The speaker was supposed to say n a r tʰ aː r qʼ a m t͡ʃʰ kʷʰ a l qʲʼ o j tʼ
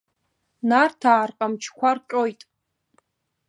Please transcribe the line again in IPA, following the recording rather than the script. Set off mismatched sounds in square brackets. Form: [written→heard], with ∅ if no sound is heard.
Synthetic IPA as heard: n a r tʰ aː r qʼ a m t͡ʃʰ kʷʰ a [l→r] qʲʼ o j tʼ

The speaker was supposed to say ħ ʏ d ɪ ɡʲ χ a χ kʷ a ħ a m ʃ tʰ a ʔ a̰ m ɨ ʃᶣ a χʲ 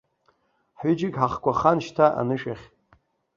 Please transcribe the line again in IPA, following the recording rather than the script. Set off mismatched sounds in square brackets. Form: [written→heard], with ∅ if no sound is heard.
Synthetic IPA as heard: ħ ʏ [d→d͡ʒ] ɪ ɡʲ [χ→ħ] a χ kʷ a [ħ→χ] a [m→n] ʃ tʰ a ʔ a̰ [m→n] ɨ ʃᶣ a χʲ

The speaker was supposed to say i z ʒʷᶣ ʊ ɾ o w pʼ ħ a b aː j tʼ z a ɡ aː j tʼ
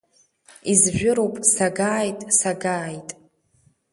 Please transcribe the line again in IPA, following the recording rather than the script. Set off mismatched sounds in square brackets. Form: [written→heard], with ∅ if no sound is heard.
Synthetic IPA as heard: i z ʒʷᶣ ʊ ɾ o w pʼ [ħ→s] a [b→ɡ] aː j tʼ [z→s] a ɡ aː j tʼ

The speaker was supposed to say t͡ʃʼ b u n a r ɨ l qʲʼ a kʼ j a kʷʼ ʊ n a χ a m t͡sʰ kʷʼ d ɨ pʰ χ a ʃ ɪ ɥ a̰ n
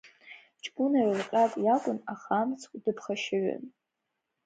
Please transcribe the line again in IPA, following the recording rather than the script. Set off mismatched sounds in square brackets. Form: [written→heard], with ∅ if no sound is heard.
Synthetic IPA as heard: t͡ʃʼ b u n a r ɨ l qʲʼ a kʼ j a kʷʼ ʊ n a χ a m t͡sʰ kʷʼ d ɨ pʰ χ a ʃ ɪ ɥ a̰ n

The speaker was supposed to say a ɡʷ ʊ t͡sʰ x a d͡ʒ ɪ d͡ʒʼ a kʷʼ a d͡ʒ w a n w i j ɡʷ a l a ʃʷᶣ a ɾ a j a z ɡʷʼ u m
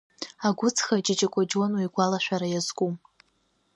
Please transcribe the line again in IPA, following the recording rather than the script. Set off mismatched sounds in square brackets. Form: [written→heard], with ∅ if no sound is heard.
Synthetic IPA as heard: a ɡʷ ʊ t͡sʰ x a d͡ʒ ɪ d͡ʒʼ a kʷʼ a d͡ʒ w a n w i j ɡʷ a l a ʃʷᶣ a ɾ a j a z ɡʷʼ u m

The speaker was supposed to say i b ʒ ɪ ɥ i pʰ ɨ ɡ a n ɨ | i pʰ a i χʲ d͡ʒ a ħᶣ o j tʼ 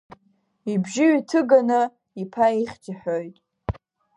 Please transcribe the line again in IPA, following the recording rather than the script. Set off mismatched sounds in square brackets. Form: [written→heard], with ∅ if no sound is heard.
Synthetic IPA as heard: i b ʒ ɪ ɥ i [pʰ→tʰ] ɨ ɡ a n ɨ | i pʰ a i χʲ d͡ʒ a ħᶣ o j tʼ

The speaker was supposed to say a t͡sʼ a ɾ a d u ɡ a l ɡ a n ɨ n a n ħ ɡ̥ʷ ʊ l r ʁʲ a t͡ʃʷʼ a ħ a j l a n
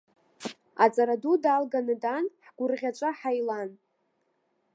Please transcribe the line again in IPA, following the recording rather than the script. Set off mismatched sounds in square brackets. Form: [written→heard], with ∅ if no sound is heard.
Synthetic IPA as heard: a t͡sʼ a ɾ a d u [ɡ→d] a l ɡ a n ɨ [n→d] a n ħ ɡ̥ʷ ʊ [l→∅] r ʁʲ a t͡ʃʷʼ a ħ a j l a n

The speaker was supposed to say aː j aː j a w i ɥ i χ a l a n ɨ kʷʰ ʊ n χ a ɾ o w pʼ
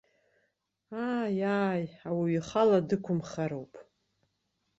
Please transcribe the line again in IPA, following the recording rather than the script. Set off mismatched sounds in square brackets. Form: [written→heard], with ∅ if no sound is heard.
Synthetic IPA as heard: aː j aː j a w i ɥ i χ a l a [n→d] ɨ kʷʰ ʊ [n→m] χ a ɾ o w pʼ

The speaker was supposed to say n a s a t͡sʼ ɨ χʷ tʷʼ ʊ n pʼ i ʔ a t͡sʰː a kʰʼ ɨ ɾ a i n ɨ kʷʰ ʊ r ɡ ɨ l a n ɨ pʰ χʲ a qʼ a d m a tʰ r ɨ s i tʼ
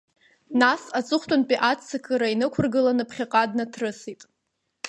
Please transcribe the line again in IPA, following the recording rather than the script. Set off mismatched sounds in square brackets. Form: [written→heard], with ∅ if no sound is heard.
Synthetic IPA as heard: n a s a t͡sʼ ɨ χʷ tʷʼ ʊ n pʼ i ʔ a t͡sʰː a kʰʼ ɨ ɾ a i n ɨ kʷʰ ʊ r ɡ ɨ l a n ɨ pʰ χʲ a qʼ a d [m→n] a tʰ r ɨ s i tʼ

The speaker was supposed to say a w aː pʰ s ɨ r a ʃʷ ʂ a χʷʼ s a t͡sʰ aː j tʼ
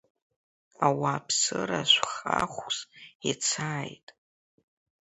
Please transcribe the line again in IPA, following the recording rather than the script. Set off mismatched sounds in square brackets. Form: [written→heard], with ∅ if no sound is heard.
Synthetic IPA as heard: a w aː pʰ s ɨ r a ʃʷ [ʂ→χ] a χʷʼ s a t͡sʰ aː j tʼ

